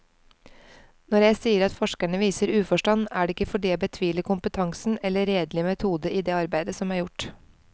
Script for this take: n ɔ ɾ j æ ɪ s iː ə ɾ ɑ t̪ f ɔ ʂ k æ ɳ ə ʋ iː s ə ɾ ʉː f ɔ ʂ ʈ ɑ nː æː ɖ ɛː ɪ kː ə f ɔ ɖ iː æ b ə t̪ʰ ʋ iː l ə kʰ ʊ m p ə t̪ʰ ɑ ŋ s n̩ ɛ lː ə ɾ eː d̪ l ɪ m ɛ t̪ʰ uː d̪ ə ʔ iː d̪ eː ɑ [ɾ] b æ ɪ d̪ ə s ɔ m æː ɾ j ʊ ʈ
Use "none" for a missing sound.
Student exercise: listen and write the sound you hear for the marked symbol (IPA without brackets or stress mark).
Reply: ɾ